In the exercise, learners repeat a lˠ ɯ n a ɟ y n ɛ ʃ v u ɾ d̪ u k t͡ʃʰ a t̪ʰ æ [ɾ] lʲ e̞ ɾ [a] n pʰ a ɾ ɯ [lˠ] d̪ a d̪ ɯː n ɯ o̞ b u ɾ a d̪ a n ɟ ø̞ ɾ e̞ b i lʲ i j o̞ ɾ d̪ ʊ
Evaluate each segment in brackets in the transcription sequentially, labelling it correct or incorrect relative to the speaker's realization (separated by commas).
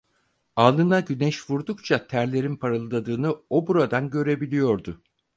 correct, incorrect, correct